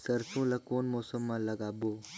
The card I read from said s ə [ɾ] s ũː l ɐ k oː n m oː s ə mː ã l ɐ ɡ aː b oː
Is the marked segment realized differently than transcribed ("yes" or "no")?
no